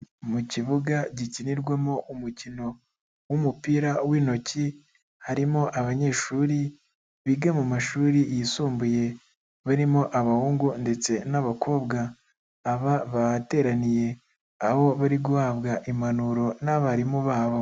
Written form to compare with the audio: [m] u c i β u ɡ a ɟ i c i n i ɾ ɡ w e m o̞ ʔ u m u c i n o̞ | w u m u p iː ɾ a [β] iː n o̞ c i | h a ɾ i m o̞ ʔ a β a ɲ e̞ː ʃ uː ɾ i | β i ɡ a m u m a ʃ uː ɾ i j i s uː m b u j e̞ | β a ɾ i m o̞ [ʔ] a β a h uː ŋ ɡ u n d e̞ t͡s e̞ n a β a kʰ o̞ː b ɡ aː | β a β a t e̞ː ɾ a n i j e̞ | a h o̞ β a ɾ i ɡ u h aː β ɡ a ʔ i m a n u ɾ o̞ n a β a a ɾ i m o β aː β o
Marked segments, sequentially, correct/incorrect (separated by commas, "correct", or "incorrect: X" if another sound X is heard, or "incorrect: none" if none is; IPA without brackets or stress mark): correct, incorrect: w, correct